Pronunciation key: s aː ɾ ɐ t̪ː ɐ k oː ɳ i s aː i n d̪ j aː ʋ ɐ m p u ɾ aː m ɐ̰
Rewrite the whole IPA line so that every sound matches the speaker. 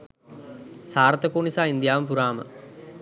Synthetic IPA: s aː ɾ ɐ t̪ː ɐ k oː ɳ i s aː i n d̪ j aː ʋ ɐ m p u ɾ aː m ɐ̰